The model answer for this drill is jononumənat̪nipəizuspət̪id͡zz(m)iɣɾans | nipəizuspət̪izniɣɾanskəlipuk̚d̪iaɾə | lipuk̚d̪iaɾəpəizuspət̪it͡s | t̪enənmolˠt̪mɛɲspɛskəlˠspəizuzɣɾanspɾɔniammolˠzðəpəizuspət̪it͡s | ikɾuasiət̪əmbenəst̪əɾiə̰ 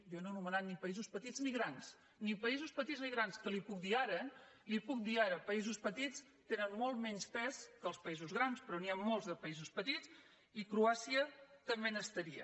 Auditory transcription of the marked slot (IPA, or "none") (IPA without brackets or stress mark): n